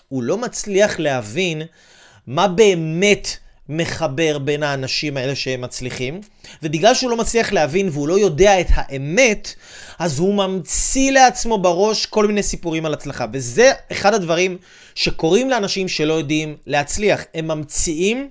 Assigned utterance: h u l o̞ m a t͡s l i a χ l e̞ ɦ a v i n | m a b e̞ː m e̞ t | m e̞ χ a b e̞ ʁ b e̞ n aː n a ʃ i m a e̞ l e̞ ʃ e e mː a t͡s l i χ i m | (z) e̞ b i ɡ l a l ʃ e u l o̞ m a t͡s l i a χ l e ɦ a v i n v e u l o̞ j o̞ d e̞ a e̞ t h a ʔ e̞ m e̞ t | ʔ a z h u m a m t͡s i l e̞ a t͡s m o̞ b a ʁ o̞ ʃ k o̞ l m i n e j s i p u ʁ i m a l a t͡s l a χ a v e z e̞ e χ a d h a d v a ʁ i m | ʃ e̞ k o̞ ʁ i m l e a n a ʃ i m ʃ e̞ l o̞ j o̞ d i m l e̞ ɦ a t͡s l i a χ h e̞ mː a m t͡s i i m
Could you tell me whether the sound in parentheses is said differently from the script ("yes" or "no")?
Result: yes